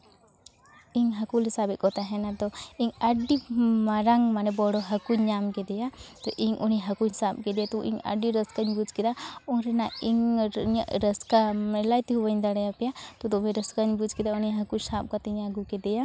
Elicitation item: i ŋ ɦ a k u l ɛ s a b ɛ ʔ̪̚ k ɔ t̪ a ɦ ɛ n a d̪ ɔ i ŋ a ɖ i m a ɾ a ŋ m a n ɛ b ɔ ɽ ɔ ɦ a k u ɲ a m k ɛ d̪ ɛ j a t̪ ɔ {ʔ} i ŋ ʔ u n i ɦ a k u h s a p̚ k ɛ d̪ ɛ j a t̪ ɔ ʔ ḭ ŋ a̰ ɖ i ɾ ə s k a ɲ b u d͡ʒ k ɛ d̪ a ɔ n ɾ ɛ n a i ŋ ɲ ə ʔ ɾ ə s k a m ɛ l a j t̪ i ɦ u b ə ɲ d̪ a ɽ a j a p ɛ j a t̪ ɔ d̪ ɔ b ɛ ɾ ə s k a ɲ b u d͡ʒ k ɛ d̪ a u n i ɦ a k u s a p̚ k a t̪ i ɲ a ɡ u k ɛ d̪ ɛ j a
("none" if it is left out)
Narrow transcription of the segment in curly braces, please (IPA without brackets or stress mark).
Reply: ʔ